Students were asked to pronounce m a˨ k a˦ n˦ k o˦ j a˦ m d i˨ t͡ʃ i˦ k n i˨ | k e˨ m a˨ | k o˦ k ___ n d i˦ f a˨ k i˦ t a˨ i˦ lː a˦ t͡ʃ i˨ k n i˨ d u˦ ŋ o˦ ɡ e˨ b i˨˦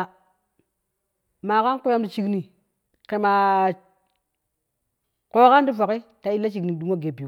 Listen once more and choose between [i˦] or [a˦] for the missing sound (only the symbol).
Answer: a˦